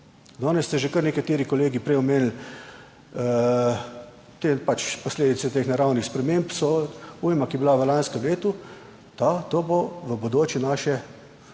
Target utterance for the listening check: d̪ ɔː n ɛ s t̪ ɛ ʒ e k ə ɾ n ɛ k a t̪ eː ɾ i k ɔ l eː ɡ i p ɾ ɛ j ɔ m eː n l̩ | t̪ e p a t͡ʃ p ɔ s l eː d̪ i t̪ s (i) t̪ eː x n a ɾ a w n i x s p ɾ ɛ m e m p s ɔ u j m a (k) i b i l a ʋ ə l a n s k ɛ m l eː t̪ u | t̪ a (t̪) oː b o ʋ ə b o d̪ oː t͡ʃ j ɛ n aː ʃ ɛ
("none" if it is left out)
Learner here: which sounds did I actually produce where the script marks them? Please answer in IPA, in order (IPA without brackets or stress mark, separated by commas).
ɛ, k, t̪